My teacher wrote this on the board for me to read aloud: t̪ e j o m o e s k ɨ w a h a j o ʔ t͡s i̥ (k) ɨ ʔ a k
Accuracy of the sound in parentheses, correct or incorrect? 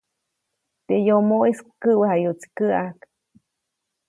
correct